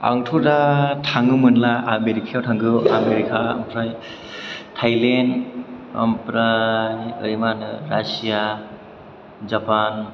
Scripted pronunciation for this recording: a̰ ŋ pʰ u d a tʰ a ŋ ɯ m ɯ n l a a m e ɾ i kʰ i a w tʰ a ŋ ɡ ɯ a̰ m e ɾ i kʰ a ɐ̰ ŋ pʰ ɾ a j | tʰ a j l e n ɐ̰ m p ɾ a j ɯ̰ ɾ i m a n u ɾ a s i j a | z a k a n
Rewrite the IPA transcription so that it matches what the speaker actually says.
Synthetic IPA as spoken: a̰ ŋ tʰ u d a tʰ a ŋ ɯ m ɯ n l a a m e ɾ i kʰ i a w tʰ a ŋ ɡ ɯ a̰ m e ɾ i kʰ a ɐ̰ m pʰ ɾ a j | tʰ a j l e n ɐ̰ m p ɾ a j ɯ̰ ɾ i m a n ɯ ɾ a s i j a | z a p a n